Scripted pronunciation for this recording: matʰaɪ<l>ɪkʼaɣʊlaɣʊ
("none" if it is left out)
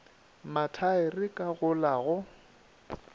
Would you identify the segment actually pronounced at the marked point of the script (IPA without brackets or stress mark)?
r